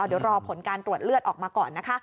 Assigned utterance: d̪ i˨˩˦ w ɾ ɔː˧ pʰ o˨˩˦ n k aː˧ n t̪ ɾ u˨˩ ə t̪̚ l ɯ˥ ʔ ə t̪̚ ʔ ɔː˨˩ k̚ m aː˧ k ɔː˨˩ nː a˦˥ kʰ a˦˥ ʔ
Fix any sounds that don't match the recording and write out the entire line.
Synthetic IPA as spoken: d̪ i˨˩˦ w ɾ ɔː˧ pʰ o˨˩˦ n k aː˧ n t̪ ɾ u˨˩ ə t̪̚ l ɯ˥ ə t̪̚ ʔ ɔː˨˩ k̚ m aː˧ k ɔː˨˩ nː a˦˥ kʰ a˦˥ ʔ